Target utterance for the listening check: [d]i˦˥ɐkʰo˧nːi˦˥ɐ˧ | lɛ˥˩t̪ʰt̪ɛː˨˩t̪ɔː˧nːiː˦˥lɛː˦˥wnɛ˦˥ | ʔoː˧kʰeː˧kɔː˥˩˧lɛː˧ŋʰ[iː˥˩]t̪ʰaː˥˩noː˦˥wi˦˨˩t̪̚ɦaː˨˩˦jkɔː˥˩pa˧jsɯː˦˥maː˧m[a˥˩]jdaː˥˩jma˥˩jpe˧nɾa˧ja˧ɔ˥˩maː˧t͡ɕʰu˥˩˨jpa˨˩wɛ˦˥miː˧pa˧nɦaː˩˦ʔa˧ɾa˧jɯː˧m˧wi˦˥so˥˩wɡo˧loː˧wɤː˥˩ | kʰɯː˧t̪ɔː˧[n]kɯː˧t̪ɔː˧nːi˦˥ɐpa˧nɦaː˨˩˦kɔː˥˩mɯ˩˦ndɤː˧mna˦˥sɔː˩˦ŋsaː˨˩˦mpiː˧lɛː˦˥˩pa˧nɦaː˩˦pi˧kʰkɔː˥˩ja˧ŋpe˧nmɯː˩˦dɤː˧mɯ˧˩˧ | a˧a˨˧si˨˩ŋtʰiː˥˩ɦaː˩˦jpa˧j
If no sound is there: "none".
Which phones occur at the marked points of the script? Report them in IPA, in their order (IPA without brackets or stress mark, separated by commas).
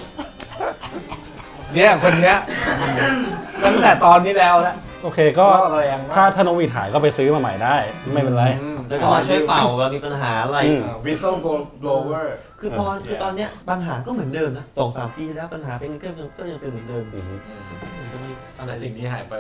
n, aː˥˩, a˨˩, n